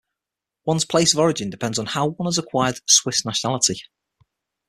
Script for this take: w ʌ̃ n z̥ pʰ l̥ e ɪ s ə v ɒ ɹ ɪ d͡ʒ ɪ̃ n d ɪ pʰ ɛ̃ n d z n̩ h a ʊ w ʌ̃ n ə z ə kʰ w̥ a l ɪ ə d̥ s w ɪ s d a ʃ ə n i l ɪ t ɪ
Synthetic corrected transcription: w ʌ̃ n z̥ pʰ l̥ e ɪ s ə v ɒ ɹ ɪ d͡ʒ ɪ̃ n d ɪ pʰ ɛ̃ n d z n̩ h a ʊ w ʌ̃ n ə z ə kʰ w̥ a ɪ ə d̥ s w ɪ s n a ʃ ə n a l ɪ t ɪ